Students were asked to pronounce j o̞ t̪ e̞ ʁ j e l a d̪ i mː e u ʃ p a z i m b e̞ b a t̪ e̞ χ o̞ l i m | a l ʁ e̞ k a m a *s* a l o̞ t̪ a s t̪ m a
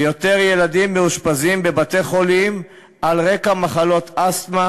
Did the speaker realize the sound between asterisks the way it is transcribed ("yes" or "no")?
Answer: no